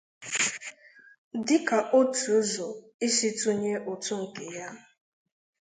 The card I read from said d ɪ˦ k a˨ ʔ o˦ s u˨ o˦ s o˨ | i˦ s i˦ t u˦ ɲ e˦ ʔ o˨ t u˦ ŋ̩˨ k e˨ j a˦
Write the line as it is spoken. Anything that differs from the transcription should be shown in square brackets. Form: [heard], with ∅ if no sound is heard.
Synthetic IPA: d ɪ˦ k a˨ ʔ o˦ [t] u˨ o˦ [z] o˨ | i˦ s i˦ t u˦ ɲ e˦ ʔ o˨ t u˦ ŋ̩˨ k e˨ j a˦